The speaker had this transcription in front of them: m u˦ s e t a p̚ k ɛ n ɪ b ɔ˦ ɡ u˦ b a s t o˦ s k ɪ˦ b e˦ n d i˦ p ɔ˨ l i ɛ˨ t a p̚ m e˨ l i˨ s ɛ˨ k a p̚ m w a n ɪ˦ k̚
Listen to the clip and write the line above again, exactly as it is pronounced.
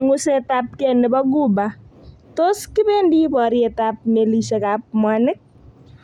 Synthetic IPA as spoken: ŋ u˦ s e t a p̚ k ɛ n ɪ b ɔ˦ ɡ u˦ b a t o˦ s k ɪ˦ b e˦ n d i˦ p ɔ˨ ɾ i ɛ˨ t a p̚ m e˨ l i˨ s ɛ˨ k a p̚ m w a n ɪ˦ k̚